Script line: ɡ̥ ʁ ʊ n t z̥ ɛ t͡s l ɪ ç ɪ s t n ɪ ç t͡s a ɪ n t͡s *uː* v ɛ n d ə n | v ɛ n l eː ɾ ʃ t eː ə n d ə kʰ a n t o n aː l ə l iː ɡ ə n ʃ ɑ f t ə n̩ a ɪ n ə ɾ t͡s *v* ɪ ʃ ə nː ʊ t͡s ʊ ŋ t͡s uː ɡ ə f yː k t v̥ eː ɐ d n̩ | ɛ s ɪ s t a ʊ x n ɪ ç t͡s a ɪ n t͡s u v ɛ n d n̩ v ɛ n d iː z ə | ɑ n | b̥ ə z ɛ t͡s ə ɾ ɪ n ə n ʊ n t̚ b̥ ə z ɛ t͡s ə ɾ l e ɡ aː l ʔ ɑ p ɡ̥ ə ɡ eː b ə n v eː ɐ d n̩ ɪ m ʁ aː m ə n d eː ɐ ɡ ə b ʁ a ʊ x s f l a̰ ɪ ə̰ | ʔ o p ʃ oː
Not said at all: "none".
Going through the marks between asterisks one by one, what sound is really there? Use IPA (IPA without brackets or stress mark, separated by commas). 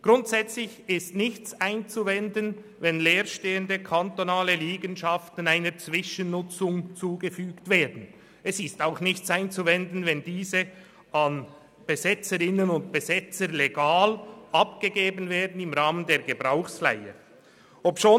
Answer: u, v